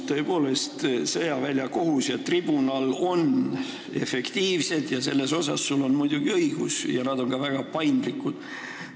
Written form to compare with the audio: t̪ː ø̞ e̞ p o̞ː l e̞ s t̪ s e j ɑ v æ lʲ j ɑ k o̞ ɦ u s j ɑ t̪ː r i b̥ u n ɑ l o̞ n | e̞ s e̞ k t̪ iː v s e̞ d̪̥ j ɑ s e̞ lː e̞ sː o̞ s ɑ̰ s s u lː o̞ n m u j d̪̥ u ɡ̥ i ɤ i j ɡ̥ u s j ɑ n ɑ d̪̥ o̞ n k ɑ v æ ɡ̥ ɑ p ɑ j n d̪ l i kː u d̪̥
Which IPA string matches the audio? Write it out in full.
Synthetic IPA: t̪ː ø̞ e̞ p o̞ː l e̞ s t̪ s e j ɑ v æ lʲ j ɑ k o̞ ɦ u s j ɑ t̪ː r i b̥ u n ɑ l o̞ n | e̞ f e̞ k t̪ iː v s e̞ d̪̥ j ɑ s e̞ lː e̞ s o̞ s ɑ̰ s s u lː o̞ n m u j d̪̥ u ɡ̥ i ɤ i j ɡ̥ u s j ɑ n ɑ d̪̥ o̞ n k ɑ v æ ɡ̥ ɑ p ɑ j n d̪ l i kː u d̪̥